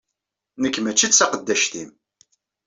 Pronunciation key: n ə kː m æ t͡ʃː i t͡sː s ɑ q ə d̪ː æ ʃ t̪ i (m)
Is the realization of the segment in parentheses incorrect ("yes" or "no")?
no